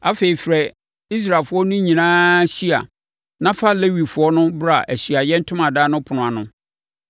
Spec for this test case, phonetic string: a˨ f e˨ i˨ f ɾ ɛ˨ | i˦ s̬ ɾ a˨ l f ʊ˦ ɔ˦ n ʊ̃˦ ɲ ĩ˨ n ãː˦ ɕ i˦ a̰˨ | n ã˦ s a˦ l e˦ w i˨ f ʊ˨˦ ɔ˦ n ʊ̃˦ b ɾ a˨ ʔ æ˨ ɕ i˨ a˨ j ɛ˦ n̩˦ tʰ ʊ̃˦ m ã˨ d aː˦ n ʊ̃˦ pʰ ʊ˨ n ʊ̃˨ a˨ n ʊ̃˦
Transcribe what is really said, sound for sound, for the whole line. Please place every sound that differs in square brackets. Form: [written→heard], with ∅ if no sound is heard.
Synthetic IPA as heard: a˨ f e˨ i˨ f ɾ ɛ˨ | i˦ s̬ ɾ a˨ l f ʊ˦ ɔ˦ n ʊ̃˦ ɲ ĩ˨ n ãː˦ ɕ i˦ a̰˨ | n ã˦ [s→f] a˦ l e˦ w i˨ f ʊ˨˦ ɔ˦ n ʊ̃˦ b ɾ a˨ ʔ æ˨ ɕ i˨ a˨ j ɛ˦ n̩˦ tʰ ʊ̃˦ m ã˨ d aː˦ n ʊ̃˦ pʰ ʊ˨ n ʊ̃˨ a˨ n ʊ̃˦

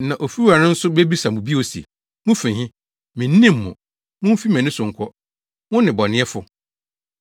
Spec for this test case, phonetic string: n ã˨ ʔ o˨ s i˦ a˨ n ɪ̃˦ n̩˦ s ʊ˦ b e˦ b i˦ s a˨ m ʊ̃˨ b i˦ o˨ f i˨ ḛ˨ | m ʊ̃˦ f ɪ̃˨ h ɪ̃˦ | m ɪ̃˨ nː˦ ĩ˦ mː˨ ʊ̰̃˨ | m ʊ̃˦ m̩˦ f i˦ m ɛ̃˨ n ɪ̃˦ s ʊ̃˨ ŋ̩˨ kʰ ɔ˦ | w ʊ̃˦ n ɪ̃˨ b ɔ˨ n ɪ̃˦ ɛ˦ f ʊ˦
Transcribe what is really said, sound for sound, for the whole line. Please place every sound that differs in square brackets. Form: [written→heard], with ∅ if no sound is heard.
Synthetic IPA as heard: n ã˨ ʔ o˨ [s→f] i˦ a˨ n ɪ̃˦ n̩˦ s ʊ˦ b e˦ b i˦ s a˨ m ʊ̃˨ b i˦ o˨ [f→s] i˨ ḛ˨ | m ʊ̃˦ f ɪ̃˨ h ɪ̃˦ | m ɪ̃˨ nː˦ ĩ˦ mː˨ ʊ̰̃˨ | m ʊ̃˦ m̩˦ f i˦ m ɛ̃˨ n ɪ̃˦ s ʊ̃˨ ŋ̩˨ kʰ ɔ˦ | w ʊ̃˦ n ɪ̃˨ b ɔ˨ n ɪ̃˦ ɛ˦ f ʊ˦

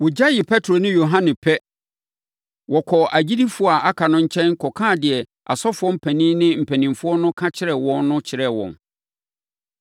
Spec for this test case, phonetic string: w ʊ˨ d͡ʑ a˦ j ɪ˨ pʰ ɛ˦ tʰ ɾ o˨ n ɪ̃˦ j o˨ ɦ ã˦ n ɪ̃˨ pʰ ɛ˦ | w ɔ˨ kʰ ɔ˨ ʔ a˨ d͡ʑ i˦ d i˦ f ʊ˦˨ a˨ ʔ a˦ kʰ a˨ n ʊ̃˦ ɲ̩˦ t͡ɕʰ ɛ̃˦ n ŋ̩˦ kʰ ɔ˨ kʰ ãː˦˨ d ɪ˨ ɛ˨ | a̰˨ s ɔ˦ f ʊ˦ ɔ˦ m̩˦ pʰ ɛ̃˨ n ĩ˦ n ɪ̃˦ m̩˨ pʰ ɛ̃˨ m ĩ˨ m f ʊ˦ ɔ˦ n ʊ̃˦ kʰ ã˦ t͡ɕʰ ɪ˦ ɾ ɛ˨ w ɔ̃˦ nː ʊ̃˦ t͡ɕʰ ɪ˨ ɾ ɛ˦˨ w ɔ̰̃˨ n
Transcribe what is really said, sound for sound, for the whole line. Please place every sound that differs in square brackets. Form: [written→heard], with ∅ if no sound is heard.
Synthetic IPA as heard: w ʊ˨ d͡ʑ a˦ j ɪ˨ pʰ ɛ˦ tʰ ɾ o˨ n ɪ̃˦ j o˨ ɦ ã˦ n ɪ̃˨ pʰ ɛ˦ | w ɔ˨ kʰ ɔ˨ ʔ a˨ d͡ʑ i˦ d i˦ f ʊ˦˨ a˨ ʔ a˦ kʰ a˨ n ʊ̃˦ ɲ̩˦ t͡ɕʰ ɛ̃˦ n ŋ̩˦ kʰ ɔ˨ kʰ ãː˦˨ d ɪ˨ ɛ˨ | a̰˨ s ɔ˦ f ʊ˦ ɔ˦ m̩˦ pʰ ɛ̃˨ n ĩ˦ n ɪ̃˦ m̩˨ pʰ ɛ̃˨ [m→n] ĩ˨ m f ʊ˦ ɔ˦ n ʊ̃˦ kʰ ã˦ t͡ɕʰ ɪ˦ ɾ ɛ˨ w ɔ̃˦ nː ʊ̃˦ t͡ɕʰ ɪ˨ ɾ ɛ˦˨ w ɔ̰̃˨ n

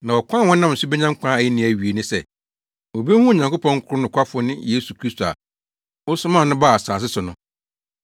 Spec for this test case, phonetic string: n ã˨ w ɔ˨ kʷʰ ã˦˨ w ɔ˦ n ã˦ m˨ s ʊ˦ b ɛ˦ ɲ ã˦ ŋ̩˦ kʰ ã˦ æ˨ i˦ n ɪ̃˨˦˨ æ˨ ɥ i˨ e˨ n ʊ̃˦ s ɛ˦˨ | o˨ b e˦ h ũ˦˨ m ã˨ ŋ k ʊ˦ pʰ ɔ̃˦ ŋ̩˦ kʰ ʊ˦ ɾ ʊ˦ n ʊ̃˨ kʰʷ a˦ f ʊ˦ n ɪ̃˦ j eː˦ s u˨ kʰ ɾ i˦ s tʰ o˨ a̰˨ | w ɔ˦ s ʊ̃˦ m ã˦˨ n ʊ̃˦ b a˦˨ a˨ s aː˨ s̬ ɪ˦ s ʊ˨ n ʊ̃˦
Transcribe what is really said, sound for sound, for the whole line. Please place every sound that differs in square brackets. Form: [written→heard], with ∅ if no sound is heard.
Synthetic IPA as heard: n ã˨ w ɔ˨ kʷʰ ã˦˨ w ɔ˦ n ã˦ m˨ s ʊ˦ b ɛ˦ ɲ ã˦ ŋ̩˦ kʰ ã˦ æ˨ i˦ n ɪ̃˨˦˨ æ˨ ɥ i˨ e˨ n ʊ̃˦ s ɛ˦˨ | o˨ b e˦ h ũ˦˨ [m→ɲ] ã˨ ŋ k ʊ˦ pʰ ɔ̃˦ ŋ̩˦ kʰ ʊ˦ ɾ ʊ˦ n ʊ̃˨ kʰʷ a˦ f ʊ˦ n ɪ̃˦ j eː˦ s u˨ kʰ ɾ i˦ s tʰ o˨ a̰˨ | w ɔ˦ s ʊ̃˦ m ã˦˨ n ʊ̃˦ b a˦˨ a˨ s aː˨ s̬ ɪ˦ s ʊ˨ n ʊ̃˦

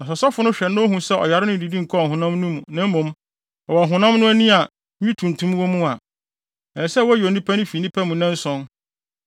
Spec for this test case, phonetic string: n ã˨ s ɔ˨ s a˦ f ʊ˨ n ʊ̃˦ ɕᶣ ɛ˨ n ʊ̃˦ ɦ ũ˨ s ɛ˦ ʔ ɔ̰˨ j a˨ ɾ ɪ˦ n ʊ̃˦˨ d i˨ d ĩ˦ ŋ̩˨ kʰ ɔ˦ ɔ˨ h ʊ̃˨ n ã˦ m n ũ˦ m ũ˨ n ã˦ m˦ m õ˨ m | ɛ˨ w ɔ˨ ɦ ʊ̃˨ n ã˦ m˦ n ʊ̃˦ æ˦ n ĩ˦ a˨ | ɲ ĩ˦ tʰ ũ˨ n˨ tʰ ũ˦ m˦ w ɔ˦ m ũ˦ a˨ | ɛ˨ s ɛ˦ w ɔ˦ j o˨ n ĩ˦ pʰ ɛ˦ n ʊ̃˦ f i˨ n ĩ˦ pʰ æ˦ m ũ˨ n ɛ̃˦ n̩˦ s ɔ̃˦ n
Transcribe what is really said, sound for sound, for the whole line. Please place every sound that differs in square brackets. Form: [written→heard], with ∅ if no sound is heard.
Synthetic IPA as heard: n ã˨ s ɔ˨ s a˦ f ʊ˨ n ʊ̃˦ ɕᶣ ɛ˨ n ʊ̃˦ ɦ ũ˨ s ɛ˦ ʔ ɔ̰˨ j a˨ ɾ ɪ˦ n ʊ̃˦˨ d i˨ d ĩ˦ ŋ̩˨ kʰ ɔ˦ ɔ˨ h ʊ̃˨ n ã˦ m n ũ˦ m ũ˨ n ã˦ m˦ m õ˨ m | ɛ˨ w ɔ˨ ɦ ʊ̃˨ n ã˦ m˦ n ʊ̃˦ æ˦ n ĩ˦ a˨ | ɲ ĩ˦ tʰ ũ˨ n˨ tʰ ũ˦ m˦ w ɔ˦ m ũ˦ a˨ | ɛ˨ s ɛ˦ w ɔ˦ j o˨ n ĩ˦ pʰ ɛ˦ n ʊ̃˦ f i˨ n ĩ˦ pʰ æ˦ m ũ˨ n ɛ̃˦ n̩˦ s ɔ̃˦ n

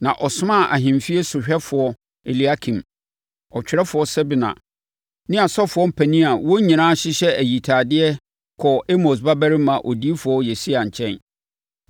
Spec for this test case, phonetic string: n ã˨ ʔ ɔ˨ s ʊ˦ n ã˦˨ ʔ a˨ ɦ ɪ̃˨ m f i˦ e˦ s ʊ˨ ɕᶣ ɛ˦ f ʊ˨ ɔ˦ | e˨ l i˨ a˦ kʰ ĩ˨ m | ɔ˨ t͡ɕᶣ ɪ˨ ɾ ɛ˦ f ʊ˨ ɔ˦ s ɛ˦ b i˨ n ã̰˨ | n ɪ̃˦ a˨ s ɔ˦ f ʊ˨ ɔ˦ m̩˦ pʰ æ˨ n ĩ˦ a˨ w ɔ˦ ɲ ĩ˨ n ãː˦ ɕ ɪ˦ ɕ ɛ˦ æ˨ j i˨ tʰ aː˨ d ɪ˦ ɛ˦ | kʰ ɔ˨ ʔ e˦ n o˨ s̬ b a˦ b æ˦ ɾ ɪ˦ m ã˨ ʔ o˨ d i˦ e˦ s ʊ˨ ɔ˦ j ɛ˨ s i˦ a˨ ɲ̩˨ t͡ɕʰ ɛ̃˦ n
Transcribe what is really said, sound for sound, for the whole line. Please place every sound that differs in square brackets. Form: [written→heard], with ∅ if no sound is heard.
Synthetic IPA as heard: n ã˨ ʔ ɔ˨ s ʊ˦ [n→m] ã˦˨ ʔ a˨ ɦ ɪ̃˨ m f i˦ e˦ s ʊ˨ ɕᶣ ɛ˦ f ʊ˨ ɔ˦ | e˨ l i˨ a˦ kʰ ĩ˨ m | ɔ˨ t͡ɕᶣ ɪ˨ ɾ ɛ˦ f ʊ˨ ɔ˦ s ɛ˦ b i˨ n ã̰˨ | n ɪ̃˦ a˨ s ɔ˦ f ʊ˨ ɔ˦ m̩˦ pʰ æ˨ n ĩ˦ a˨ w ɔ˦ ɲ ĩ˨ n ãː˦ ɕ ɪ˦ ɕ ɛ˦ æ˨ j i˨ tʰ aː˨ d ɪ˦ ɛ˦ | kʰ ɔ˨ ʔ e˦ [n→m] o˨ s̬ b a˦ b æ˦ ɾ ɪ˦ m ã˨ ʔ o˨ d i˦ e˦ [s→f] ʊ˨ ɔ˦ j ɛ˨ s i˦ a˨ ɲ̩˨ t͡ɕʰ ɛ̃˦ n

